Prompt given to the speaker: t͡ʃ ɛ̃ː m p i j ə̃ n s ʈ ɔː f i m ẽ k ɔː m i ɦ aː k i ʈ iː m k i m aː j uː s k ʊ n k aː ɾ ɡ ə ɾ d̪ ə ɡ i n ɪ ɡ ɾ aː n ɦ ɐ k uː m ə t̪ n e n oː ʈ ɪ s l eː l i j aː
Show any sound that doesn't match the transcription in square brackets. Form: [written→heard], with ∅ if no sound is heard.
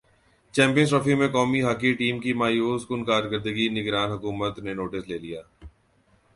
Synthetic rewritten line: t͡ʃ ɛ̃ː m p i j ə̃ n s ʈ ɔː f i m ẽ k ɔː m i ɦ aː k i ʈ iː m k i m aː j uː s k ʊ n k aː ɾ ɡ ə ɾ d̪ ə ɡ i n ɪ ɡ ɾ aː n ɦ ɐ k uː m ə t̪ n e n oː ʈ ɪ s l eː l i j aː